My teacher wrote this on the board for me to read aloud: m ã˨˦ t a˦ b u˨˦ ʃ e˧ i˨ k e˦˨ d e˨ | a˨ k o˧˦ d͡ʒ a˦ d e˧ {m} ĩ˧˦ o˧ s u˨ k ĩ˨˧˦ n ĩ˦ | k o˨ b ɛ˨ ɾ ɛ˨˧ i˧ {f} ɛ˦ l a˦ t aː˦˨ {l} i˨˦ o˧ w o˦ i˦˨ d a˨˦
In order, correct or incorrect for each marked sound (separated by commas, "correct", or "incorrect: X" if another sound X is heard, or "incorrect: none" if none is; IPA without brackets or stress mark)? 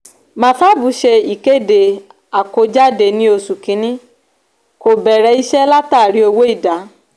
incorrect: n, incorrect: ʃ, incorrect: ɾ